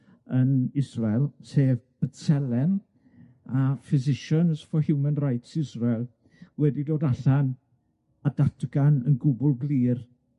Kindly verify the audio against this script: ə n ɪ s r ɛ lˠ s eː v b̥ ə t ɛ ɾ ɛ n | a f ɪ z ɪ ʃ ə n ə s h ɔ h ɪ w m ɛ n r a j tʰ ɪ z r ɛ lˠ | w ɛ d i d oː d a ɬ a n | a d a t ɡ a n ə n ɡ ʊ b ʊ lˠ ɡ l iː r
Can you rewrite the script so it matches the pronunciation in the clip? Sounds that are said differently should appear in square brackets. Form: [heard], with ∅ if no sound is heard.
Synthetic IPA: ə n ɪ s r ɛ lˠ s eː v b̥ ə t ɛ [l] ɛ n | a f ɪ z ɪ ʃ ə n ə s [f] ɔ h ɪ w m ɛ n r a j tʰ ɪ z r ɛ lˠ | w ɛ d i d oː d a ɬ a n | a d a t ɡ a n ə n ɡ ʊ b ʊ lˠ ɡ l iː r

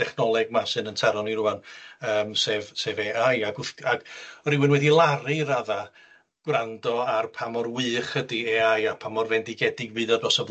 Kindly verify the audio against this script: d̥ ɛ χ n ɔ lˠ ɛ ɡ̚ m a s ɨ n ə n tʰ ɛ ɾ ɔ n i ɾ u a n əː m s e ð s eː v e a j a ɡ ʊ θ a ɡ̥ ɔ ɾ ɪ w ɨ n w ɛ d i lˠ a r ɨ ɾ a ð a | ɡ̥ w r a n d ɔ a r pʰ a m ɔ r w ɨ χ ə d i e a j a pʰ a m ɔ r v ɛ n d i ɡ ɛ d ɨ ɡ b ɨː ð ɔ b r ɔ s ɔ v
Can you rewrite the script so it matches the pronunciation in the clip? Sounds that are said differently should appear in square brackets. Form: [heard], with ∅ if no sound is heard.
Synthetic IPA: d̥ ɛ χ n ɔ lˠ ɛ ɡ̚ m a s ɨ n ə n tʰ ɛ ɾ ɔ n i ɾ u a n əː m s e [v] s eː v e a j a ɡ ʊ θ a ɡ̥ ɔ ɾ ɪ w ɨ n w ɛ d i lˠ a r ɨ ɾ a ð a | ɡ̥ w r a n d ɔ a r pʰ a m ɔ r w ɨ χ ə d i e a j a pʰ a m ɔ r v ɛ n d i ɡ ɛ d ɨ ɡ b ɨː ð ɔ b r ɔ s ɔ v

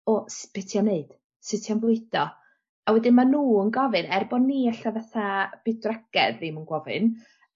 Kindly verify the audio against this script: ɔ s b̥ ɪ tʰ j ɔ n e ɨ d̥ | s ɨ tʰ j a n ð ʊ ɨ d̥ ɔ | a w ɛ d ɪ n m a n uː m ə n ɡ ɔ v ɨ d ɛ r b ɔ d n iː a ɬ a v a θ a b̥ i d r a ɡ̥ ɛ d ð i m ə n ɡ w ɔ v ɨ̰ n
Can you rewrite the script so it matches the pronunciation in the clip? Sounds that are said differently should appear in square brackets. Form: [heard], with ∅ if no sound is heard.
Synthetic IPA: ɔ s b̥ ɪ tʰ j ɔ n e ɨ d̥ | s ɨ tʰ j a n [v] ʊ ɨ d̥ ɔ | a w ɛ d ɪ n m a n uː [∅] ə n ɡ ɔ v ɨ [n] ɛ r b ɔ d n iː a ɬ a v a θ a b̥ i d r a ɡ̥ ɛ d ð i m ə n ɡ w ɔ v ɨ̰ n

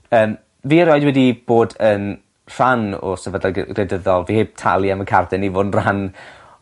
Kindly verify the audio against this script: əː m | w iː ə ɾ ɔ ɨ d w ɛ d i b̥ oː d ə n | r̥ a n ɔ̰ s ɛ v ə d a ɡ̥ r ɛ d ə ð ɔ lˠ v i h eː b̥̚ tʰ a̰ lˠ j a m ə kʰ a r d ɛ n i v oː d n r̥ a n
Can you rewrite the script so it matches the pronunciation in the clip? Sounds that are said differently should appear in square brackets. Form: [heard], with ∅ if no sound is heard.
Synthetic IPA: əː m | [v] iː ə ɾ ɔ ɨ d w ɛ d i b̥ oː d ə n | r̥ a n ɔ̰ s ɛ v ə d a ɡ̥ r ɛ d ə ð ɔ lˠ v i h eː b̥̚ tʰ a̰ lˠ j a m ə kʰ a r d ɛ n i v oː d n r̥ a n

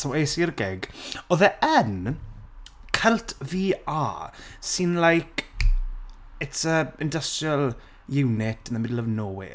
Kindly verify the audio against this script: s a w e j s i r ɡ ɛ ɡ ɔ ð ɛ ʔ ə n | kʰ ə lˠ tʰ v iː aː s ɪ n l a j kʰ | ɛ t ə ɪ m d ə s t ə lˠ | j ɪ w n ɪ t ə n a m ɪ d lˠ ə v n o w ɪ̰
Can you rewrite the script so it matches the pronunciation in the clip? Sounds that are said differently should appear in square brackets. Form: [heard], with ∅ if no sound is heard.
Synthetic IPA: s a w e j s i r ɡ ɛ ɡ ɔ ð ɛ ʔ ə n | kʰ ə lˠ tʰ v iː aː s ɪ n l a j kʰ | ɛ t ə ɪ [n] d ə s t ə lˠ | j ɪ w n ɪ t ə n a m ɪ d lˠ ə v n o w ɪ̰

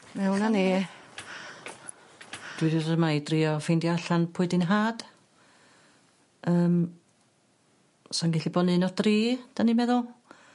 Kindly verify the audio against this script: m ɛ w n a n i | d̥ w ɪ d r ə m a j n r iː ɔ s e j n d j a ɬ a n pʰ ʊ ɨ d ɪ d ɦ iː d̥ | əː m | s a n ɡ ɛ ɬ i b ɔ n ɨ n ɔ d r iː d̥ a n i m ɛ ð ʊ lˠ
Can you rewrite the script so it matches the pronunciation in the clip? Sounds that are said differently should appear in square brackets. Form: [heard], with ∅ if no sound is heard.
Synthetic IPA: m ɛ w n a n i | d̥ w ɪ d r ə m a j [d] r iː ɔ [f] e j n d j a ɬ a n pʰ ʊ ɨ d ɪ [n] ɦ [aː] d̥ | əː m | s a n ɡ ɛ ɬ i b ɔ n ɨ n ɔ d r iː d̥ a n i m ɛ ð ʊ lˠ

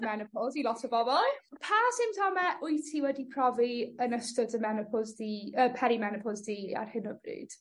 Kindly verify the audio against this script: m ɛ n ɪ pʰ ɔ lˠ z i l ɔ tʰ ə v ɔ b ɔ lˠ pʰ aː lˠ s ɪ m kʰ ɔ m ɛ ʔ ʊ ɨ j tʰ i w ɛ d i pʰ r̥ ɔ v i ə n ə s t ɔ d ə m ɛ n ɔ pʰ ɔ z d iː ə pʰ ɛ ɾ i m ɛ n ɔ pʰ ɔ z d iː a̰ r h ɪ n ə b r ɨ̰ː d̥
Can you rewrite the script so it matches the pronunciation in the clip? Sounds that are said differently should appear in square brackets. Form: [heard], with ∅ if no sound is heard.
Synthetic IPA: m ɛ n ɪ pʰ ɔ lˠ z i l ɔ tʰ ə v ɔ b ɔ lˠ pʰ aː [∅] s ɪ m [tʰ] ɔ m ɛ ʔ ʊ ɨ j tʰ i w ɛ d i pʰ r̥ ɔ v i ə n ə s t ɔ d ə m ɛ n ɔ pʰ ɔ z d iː ə pʰ ɛ ɾ i m ɛ n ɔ pʰ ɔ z d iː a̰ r h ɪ n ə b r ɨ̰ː d̥

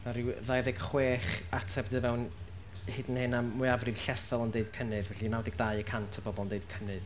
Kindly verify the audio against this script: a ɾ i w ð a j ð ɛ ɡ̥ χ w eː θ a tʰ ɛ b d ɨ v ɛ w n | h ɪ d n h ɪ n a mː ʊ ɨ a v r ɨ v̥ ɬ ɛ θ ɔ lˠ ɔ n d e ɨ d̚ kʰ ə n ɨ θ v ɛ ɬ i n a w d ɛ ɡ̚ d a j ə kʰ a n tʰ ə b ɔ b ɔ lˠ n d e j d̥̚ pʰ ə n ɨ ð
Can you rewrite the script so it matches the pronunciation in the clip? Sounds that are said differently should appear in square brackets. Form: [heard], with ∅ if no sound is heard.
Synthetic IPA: a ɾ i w ð a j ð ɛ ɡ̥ χ w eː [χ] a tʰ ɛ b d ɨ v ɛ w n | h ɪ d n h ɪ n a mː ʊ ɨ a v r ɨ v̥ ɬ ɛ θ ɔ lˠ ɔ n d e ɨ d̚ kʰ ə n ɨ [ð] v ɛ ɬ i n a w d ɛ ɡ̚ d a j ə kʰ a n tʰ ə b ɔ b ɔ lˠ n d e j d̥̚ [kʰ] ə n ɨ ð

